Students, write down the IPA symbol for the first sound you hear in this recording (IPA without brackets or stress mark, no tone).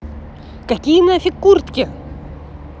k